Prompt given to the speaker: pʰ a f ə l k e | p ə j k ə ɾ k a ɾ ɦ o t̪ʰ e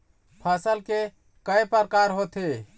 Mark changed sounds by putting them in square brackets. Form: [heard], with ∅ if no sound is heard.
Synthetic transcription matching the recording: pʰ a [s] ə l k e | [k] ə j [p] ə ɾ k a ɾ ɦ o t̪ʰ e